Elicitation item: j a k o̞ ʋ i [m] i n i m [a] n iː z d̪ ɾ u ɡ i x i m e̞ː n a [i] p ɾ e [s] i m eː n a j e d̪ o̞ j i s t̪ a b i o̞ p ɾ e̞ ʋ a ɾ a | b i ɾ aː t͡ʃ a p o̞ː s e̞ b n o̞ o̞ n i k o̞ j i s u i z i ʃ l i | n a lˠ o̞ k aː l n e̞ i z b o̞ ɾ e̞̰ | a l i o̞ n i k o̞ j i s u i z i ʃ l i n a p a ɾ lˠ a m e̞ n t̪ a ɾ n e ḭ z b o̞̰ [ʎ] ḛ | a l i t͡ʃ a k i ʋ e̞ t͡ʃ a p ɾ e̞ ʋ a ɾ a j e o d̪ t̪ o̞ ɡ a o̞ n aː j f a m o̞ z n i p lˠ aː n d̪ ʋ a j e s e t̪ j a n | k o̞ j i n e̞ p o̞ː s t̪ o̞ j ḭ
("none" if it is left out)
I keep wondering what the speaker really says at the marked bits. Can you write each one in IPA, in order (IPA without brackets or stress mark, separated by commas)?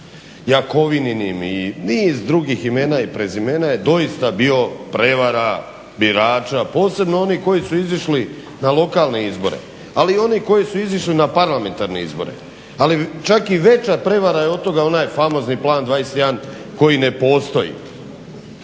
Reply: n, i, i, z, ɾ